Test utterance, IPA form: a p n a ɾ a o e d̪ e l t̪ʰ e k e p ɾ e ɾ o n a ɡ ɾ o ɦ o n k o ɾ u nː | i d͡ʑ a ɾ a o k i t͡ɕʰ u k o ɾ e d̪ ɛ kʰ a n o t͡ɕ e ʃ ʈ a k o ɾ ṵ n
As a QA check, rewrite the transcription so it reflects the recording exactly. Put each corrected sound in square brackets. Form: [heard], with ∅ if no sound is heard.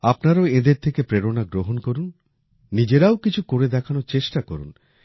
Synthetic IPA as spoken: a p n a ɾ a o e d̪ e [ɾ] t̪ʰ e k e p ɾ e ɾ o n a ɡ ɾ o ɦ o n k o ɾ u nː | i d͡ʑ [e] ɾ a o k i t͡ɕʰ u k o ɾ e d̪ ɛ kʰ a n o t͡ɕ e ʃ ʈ a k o ɾ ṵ n